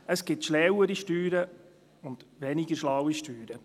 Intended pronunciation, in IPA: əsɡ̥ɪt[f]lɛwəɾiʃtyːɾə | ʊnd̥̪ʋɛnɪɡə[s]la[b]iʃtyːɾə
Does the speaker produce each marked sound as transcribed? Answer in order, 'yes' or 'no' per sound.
no, no, no

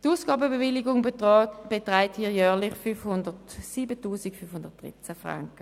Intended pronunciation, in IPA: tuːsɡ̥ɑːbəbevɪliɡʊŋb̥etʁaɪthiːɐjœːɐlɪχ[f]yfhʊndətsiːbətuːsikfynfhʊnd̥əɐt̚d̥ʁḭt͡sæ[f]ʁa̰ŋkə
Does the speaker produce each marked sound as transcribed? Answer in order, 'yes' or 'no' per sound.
yes, yes

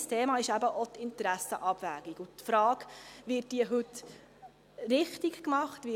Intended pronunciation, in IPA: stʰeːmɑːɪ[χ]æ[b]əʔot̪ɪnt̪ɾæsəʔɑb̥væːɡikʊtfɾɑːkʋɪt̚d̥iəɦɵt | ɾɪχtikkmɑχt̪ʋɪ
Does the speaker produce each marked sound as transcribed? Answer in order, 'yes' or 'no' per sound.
no, yes

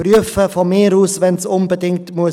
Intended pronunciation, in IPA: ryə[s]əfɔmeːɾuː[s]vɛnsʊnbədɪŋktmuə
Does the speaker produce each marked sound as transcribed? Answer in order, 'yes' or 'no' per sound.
no, yes

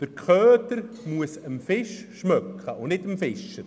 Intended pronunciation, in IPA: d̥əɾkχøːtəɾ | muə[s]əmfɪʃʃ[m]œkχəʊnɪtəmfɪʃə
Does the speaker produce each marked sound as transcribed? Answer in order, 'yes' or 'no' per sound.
yes, yes

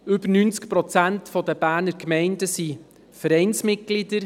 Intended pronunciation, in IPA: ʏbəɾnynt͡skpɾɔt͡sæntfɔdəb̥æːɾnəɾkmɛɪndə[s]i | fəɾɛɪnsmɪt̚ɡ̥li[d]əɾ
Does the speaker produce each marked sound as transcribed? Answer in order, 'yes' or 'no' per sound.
yes, yes

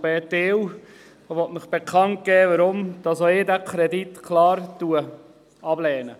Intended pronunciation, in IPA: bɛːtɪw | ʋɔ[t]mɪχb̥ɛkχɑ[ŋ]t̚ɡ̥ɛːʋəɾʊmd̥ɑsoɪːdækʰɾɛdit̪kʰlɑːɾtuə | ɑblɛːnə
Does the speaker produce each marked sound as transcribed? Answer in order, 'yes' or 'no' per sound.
yes, no

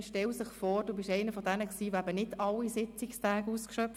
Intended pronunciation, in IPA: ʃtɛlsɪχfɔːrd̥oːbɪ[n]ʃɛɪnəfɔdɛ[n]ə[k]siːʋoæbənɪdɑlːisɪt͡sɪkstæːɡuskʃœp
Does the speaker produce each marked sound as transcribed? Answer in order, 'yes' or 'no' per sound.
no, yes, yes

